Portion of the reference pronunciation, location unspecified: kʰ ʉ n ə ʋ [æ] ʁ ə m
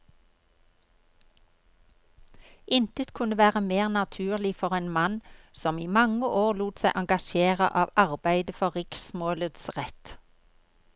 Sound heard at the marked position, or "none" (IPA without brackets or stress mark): æː